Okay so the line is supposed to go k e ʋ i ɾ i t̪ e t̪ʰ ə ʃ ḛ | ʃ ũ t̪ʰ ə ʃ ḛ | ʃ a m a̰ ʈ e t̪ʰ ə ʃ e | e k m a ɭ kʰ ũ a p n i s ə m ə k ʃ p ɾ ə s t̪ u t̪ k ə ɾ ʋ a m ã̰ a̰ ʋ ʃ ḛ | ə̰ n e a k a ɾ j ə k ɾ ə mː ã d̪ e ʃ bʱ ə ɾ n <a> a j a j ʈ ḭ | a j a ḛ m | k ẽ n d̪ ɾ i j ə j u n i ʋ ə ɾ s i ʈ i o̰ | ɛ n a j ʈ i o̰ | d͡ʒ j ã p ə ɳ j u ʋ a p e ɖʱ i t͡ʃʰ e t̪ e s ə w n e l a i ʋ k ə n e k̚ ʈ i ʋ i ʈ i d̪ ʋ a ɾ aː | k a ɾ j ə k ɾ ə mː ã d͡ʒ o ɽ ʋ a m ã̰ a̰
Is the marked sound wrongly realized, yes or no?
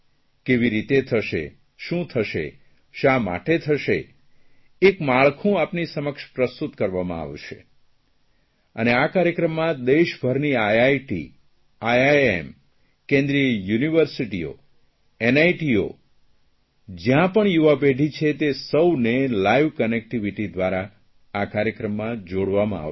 yes